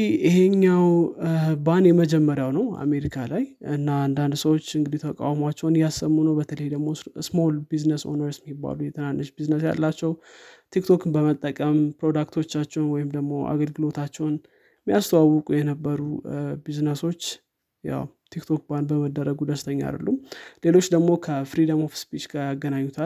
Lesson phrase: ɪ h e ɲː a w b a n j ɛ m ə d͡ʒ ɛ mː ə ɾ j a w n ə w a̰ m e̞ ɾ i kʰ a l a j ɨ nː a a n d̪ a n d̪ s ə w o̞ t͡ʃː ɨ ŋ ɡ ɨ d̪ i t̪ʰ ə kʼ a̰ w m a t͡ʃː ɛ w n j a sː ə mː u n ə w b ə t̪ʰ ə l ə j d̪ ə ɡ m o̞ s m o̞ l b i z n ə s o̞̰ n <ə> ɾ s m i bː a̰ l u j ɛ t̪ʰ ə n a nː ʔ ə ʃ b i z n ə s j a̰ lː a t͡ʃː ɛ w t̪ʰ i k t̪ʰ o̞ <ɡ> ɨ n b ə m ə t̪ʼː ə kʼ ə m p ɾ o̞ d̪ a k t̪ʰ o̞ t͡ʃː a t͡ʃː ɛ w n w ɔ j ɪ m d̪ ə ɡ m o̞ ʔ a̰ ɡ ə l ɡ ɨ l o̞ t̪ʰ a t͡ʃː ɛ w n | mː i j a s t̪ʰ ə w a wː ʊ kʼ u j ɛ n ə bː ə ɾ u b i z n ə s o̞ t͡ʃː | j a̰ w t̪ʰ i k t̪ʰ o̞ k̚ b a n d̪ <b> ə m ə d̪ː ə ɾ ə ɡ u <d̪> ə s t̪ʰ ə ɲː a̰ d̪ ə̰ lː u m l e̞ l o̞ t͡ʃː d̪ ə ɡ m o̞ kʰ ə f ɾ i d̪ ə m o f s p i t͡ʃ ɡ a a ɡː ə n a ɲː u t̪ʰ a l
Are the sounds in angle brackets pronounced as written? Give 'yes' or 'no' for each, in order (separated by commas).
yes, no, yes, yes